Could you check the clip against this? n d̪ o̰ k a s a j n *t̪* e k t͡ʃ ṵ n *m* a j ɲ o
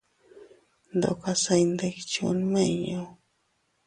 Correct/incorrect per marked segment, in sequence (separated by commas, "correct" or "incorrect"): incorrect, correct